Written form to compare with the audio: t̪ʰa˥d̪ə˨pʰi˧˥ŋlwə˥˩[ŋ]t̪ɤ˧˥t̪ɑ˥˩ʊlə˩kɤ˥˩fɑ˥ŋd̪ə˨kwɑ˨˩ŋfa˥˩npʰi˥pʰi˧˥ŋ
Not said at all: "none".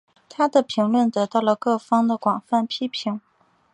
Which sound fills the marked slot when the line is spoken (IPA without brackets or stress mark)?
n